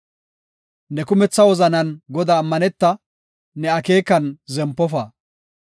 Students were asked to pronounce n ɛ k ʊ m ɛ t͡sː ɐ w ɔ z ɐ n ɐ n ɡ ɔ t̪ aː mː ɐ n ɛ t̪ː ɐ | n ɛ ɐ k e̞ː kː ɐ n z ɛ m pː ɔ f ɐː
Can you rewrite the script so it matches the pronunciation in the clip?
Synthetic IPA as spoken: n ɛ k ʊ m ɛ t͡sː ɐ w ɔ z ɐ n ɐ n ɡ ɔ d̪ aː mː ɐ n ɛ t̪ː ɐ | n ɛ ɐ k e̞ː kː ɐ n z ɛ m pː ɔ f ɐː